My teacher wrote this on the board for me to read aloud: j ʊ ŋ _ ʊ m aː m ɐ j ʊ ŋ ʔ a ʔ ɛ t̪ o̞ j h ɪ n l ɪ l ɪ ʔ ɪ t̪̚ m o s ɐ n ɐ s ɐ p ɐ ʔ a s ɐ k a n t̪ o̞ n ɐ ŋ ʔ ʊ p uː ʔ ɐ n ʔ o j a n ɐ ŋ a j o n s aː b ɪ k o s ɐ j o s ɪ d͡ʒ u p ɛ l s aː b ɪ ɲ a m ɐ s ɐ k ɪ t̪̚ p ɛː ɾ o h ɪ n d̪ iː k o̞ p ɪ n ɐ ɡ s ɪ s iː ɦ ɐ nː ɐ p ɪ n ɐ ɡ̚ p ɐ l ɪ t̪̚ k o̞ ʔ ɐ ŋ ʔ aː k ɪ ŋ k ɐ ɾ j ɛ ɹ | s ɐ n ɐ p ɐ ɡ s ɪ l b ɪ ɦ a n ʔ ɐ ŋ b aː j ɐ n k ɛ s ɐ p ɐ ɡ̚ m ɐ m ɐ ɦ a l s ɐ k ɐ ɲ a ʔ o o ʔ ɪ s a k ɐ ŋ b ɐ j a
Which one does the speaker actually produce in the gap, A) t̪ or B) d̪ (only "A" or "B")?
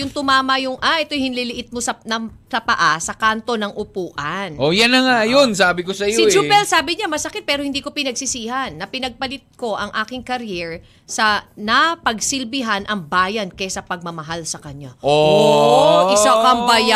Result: A